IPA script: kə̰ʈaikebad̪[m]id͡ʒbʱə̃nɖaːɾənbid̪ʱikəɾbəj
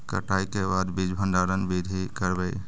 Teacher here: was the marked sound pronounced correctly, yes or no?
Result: no